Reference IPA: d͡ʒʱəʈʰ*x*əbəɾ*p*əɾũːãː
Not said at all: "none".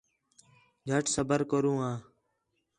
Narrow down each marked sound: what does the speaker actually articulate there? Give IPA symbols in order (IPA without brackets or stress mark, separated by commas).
s, k